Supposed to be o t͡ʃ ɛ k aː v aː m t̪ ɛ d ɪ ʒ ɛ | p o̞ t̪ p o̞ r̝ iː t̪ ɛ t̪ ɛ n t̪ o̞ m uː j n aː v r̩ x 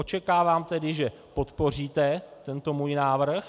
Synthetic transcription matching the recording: o t͡ʃ ɛ k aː v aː m t̪ ɛ d ɪ ʒ ɛ | p o̞ t̪ p o̞ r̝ iː t̪ ɛ t̪ ɛ n t̪ o̞ m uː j n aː v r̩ x